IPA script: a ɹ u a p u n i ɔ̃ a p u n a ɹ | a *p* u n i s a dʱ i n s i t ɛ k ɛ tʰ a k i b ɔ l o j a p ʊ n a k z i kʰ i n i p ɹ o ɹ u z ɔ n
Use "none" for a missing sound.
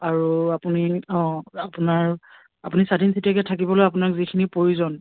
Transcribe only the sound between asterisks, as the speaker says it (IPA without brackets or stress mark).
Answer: p